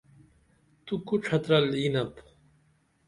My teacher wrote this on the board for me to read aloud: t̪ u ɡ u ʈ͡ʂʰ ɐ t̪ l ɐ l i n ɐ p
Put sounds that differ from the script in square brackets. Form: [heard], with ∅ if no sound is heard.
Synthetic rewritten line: t̪ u [k] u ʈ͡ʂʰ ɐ t̪ [ɾ] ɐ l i n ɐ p